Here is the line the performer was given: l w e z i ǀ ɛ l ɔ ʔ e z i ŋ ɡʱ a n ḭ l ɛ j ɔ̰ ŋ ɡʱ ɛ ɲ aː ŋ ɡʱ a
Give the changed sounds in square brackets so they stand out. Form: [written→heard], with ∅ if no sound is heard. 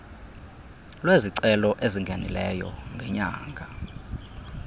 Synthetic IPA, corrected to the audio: l w e z i ǀ ɛ l ɔ ʔ e z i ŋ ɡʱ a n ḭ l ɛ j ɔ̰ ŋ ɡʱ ɛ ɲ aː ŋ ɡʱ a